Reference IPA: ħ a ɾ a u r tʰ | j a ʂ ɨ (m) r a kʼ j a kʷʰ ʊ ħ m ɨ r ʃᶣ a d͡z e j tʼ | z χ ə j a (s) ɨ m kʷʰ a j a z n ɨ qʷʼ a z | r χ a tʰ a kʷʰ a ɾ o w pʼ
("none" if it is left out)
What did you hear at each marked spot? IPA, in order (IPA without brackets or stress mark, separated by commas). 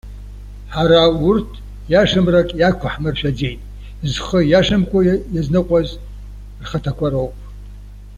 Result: m, ʂ